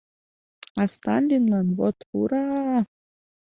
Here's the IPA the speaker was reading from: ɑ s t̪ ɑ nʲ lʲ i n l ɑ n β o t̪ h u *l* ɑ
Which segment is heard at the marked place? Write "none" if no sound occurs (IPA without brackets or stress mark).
ɾ